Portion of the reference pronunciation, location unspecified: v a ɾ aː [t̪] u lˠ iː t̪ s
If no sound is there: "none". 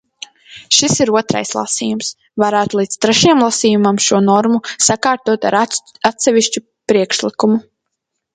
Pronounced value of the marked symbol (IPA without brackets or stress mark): t̪